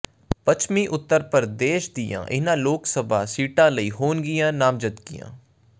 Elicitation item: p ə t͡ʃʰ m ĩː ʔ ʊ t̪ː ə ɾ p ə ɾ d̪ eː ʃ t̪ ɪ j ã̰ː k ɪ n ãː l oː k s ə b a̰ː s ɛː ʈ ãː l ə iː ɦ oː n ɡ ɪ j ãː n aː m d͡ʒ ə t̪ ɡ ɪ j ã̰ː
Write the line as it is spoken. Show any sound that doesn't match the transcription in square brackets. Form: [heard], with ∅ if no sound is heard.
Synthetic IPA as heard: p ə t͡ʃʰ m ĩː ʔ ʊ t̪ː ə ɾ p ə ɾ d̪ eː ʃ [d̪] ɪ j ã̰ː [ʔ] ɪ n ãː l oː k s ə b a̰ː s [iː] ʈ ãː l ə iː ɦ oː n ɡ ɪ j ãː n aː m d͡ʒ ə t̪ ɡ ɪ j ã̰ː